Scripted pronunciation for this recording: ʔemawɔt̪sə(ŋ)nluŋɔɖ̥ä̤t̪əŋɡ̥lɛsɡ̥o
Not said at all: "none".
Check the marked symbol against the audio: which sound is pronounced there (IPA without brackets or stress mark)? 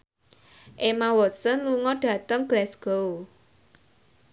none